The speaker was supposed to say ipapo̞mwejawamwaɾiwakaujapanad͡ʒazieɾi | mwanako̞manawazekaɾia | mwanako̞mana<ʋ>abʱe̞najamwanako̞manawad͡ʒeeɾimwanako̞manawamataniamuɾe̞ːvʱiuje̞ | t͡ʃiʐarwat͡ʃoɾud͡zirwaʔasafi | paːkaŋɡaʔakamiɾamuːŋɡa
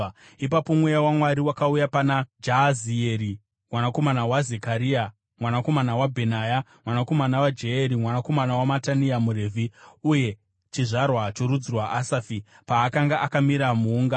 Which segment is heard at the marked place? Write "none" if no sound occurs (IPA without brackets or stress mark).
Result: w